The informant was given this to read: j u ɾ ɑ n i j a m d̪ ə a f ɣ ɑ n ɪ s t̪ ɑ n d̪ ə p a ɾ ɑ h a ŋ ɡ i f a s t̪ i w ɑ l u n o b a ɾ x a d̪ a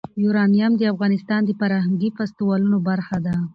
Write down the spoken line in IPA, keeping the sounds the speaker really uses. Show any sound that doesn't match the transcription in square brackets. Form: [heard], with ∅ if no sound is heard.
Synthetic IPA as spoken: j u ɾ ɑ n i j a m d̪ ə a f ɣ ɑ n ɪ s t̪ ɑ n d̪ ə p a ɾ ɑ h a ŋ ɡ i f a s t̪ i w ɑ l u n o b a ɾ x a d̪ a

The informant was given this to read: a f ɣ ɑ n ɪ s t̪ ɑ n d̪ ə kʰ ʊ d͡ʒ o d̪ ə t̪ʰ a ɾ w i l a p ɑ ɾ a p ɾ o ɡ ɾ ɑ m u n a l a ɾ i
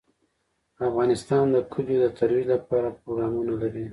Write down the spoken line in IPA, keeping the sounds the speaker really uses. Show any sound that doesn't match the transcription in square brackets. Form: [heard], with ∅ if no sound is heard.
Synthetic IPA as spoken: a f ɣ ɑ n ɪ s t̪ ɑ n d̪ ə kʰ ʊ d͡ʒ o d̪ ə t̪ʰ a ɾ w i l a p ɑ ɾ a p ɾ o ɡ ɾ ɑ m u n a l a ɾ i

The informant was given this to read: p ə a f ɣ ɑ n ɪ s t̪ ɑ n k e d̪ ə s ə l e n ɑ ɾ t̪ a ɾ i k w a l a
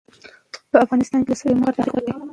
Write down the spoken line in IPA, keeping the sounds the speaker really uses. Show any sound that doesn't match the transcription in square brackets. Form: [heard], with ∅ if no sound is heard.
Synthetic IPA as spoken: p ə a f ɣ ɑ n ɪ s t̪ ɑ n k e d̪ ə s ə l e [m] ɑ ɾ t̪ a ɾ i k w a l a

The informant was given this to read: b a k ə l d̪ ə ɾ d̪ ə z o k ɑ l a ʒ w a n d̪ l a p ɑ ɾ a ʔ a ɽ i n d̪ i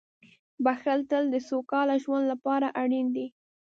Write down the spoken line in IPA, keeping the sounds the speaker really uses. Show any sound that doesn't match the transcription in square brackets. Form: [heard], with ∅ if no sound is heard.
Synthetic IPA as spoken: b a [x] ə l [t̪] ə [l] d̪ ə [s] o k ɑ l a ʒ w a n d̪ l a p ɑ ɾ a ʔ a ɽ i n d̪ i

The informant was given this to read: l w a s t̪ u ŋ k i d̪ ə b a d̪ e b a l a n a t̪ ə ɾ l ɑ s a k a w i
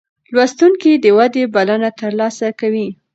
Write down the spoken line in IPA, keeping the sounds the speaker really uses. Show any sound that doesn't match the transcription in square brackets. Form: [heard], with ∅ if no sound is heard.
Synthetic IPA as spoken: l w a s t̪ u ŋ k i d̪ ə [w] a d̪ e b a l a n a t̪ ə ɾ l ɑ s a k a w i

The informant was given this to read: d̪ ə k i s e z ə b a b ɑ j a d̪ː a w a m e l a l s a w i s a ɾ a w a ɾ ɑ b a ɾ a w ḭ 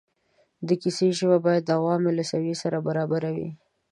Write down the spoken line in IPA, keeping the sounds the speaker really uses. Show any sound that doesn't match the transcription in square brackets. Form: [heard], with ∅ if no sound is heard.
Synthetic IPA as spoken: d̪ ə k i s e [ʒ] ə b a b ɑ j a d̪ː a w [ɑ] m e l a [∅] s a w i s a ɾ a [b] a ɾ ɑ b a ɾ a w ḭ

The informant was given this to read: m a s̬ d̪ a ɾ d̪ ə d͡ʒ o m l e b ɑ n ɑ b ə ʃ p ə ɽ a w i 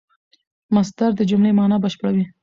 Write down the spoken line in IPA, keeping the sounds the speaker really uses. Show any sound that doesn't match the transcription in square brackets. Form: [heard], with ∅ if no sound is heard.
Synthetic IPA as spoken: m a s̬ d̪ a ɾ d̪ ə d͡ʒ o m l e [m] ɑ n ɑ b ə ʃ p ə ɽ a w i

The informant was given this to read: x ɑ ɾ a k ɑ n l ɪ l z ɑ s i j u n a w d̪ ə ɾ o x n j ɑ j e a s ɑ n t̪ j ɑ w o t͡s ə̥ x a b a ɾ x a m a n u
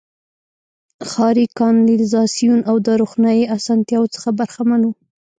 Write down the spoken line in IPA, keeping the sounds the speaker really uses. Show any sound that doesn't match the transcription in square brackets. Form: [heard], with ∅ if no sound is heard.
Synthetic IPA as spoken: x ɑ ɾ [i] k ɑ n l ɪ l z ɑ s i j u n a w d̪ ə ɾ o x n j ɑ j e a s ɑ n t̪ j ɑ w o t͡s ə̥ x a b a ɾ x a m a n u

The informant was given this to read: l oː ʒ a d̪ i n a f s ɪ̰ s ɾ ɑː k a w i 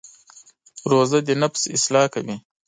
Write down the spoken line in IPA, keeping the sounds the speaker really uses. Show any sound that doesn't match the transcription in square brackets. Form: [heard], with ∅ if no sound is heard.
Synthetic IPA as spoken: [ɾ] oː [z] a d̪ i n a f s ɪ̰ s [l] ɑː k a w i

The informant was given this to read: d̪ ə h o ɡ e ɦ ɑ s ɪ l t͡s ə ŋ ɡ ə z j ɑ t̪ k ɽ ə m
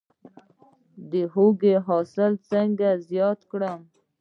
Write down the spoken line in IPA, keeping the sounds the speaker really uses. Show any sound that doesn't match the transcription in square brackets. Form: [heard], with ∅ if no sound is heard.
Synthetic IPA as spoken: d̪ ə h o ɡ e ɦ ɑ s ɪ l t͡s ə ŋ ɡ [a] z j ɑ t̪ k ɽ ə m

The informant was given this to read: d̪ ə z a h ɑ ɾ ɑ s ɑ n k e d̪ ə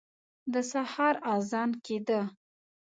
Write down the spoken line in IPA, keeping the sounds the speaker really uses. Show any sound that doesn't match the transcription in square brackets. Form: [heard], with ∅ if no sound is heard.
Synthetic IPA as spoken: d̪ ə [s] a h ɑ ɾ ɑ [z] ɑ n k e d̪ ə

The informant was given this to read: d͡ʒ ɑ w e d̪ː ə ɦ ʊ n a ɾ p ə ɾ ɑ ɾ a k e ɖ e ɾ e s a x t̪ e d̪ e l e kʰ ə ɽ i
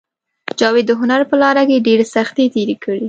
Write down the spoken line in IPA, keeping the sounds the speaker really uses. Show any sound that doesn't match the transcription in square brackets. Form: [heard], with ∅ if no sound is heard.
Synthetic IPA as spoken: d͡ʒ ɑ w e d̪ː ə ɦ ʊ n a ɾ p ə [l] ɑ ɾ a k e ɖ e ɾ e s a x t̪ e [t̪] e [ɾ] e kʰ ə ɽ i

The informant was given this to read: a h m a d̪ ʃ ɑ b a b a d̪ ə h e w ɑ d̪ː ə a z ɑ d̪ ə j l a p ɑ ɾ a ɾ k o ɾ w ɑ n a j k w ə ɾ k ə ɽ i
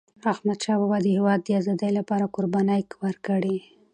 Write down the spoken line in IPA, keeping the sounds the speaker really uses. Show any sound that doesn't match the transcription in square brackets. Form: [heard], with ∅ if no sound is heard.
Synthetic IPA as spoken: a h m a d̪ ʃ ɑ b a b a d̪ ə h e w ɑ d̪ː ə a z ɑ d̪ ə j l a p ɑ ɾ a [∅] k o ɾ [b] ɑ n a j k w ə ɾ k ə ɽ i

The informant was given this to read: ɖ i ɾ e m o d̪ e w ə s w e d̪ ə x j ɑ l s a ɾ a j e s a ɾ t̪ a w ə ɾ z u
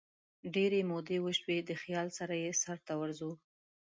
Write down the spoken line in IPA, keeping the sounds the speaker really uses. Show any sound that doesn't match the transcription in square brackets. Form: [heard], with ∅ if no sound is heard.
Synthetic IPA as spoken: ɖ [e] ɾ e m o d̪ e w ə [ʃ] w e d̪ ə x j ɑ l s a ɾ a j e s a ɾ t̪ a w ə ɾ z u

